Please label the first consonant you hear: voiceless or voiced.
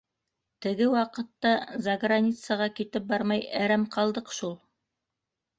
voiceless